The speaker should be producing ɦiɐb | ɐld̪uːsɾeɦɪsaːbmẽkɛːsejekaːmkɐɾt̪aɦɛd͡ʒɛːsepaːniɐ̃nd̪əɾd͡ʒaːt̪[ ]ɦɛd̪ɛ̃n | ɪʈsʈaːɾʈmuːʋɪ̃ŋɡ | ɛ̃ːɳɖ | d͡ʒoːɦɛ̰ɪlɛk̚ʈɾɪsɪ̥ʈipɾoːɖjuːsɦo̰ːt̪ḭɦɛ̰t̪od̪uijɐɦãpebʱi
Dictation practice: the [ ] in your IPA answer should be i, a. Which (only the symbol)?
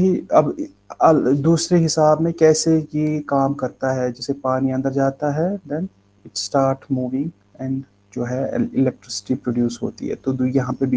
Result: a